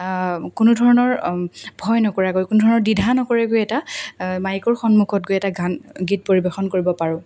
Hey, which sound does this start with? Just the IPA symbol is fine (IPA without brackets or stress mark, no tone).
k